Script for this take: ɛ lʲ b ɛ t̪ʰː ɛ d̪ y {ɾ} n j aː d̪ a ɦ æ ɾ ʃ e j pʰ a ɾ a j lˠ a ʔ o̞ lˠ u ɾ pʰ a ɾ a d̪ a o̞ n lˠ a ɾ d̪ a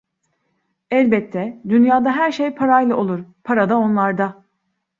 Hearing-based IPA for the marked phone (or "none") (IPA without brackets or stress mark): none